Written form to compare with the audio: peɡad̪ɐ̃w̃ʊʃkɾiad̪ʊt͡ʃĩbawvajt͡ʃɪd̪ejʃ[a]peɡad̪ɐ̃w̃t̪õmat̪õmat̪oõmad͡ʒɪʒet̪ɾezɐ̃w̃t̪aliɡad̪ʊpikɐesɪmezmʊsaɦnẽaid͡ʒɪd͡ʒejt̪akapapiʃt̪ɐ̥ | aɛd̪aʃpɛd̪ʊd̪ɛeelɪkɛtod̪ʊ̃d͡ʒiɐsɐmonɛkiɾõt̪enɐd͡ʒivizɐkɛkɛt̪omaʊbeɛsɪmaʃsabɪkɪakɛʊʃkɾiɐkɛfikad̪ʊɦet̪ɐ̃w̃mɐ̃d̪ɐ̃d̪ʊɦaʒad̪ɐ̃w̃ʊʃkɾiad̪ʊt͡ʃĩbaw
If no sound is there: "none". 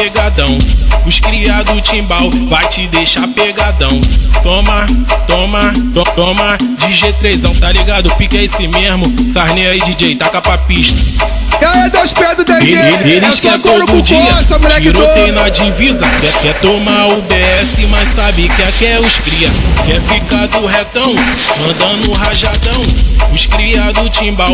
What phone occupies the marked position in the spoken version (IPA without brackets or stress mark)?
a